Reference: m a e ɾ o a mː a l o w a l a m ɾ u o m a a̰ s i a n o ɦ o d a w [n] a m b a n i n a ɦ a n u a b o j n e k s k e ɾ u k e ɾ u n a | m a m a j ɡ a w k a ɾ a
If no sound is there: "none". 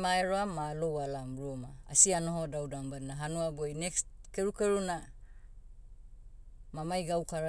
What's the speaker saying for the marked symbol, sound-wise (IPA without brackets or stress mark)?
d